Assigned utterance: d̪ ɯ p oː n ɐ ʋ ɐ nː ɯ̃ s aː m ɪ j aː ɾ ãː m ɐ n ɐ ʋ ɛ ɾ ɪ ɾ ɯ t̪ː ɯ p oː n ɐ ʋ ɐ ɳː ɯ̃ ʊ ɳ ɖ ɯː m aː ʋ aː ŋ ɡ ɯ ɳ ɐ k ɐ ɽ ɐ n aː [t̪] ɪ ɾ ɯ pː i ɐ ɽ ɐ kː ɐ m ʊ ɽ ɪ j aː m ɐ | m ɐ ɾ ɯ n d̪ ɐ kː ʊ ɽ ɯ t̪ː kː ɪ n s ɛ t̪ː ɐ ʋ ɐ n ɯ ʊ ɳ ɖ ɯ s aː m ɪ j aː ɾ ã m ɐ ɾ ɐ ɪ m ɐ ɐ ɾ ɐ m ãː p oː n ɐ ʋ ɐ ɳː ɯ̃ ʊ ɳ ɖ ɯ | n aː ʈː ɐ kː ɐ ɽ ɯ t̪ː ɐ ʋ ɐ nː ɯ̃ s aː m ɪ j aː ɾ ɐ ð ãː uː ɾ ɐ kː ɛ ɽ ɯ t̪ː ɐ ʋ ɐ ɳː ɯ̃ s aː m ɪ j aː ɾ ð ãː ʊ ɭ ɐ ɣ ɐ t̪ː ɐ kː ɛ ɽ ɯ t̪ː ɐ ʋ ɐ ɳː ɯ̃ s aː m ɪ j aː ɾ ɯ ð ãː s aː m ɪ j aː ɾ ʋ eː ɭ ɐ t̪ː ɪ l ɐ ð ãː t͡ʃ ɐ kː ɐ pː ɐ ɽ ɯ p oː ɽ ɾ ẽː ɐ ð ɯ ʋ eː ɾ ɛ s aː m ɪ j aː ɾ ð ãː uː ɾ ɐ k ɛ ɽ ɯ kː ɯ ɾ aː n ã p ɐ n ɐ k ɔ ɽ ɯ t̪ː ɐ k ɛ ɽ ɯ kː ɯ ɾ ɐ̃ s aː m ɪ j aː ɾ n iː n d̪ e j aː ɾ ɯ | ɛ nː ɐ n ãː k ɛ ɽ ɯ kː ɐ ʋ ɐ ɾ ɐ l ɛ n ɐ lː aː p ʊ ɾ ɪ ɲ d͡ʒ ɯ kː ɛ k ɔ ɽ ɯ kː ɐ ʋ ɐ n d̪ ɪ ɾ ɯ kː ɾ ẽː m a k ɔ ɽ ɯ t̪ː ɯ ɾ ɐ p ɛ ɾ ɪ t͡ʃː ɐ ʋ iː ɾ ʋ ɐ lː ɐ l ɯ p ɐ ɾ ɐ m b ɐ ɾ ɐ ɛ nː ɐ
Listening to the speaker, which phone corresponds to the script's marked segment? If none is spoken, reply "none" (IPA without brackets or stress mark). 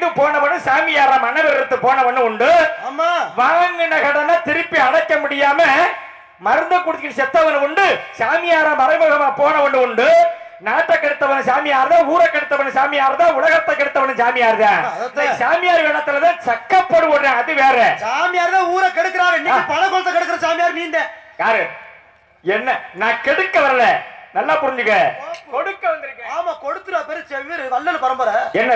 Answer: t̪